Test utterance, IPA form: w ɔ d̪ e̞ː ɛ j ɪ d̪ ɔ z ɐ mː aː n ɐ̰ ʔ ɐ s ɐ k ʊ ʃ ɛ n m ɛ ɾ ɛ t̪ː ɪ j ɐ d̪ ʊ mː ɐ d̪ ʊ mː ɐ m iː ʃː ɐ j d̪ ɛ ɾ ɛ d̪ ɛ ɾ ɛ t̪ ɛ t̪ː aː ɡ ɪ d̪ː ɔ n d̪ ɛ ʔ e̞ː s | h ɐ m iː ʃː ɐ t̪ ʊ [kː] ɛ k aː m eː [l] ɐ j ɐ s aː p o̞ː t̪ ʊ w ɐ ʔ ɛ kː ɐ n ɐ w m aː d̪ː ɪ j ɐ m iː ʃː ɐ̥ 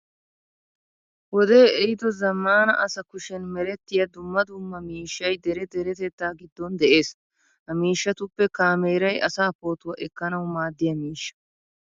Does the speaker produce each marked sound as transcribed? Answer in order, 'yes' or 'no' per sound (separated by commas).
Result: no, no